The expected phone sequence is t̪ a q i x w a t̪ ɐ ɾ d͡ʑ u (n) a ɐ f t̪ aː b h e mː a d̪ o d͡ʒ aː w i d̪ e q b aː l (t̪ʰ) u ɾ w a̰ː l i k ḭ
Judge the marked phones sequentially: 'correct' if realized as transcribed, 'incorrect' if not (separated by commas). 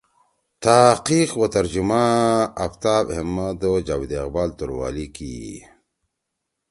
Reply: incorrect, incorrect